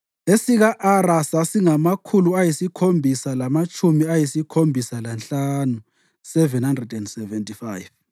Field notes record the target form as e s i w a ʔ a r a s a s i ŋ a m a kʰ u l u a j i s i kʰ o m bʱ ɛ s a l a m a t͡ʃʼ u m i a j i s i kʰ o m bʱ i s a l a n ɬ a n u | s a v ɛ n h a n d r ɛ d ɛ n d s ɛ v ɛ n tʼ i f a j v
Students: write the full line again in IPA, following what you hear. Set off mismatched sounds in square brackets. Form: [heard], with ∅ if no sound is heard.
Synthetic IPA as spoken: e s i [ɣ] a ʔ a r a s a s i ŋ a m a kʰ u l u a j i s i kʰ o m bʱ [i] s a l a m a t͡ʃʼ u m i a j i s i kʰ o m bʱ i s a l a n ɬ a n u | s [ɛ] v ɛ n h a n d r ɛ d ɛ n d s ɛ v ɛ n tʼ i f a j v